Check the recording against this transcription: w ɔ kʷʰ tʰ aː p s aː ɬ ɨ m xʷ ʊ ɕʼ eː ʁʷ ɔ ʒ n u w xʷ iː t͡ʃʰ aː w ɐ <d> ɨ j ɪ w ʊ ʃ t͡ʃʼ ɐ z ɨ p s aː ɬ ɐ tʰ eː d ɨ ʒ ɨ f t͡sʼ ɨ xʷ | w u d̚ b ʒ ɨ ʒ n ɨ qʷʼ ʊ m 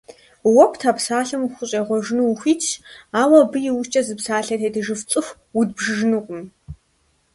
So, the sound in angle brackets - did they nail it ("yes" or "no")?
no